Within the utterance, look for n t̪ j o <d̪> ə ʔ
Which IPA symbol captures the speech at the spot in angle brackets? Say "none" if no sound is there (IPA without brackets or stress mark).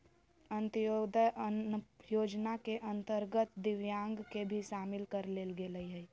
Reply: d̪